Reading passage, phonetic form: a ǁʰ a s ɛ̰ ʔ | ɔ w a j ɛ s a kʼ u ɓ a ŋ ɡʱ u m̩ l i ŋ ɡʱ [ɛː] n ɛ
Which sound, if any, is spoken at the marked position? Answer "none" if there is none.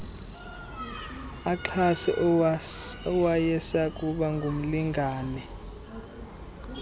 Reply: aː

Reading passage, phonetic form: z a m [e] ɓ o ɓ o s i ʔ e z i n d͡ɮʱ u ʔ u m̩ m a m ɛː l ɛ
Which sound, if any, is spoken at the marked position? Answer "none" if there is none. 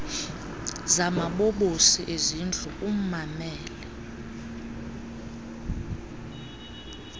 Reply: a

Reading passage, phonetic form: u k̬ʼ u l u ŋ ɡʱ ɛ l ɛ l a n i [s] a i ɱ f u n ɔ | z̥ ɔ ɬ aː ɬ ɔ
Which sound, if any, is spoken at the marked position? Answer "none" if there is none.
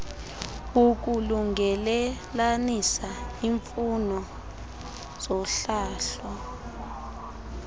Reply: s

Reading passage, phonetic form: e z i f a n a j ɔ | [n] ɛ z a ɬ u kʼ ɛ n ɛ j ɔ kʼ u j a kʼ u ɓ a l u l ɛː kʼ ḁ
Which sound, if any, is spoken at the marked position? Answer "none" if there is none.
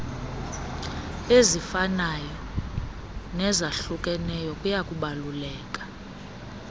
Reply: n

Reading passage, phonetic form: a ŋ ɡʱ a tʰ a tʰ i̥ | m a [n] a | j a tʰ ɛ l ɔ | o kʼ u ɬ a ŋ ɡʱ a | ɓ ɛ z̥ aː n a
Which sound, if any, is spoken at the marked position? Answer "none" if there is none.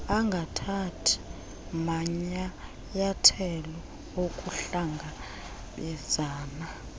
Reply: ɲ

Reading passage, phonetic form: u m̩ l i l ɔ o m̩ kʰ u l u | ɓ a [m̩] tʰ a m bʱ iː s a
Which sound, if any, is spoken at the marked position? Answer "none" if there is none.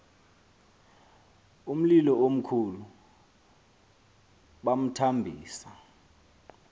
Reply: m̩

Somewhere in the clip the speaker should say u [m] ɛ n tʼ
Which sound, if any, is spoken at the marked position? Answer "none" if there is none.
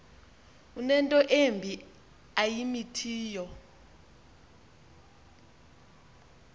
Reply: n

